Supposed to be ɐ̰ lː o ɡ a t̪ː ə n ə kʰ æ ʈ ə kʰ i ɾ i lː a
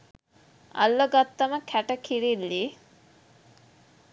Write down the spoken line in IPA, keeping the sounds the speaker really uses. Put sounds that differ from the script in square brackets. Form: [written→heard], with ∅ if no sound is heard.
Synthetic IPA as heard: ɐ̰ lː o ɡ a t̪ː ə [n→m] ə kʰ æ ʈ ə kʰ i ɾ i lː [a→i]